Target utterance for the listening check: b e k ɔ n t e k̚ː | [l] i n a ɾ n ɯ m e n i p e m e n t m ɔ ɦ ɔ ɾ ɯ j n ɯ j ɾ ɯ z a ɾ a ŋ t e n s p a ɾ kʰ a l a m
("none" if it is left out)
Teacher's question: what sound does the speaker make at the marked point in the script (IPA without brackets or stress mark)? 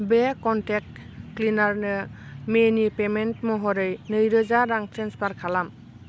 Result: l